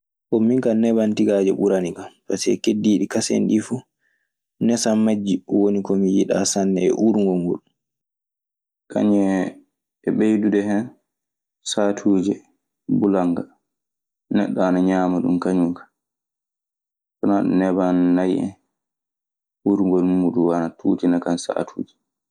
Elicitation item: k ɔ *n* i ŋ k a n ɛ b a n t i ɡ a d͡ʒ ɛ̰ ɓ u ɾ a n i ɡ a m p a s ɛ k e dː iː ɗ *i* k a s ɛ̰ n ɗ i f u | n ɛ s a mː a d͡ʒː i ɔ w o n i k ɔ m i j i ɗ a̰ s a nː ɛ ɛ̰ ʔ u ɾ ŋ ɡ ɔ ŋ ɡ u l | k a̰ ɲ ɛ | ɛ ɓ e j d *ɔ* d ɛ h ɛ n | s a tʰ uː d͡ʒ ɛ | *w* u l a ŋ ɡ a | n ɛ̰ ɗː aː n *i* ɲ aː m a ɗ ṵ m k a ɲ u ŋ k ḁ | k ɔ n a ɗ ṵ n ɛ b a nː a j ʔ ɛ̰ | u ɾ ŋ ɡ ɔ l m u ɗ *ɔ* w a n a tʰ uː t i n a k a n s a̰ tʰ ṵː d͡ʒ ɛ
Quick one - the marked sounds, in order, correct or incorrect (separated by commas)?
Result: incorrect, correct, incorrect, incorrect, incorrect, incorrect